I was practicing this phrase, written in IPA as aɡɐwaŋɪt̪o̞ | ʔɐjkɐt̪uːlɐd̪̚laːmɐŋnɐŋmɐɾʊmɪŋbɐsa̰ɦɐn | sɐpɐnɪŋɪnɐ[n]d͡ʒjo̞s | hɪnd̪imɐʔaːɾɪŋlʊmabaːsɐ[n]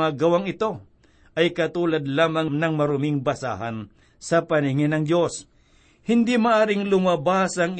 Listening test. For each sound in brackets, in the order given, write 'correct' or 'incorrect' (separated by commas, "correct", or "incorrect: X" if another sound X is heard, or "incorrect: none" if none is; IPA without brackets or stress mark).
incorrect: ŋ, incorrect: ŋ